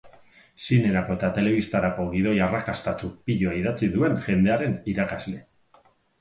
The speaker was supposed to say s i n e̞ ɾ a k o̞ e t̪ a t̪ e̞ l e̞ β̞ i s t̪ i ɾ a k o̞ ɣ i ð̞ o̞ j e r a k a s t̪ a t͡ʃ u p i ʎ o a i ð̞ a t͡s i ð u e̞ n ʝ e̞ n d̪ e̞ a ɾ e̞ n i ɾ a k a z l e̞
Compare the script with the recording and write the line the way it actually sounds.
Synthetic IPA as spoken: s i n e̞ ɾ a k o̞ e t̪ a t̪ e̞ l e̞ β̞ i s t̪ a ɾ a k o̞ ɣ i ð̞ o̞ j a r a k a s t̪ a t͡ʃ u p i ʎ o a i ð̞ a t͡s i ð u e̞ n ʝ e̞ n d̪ e̞ a ɾ e̞ n i ɾ a k a z l e̞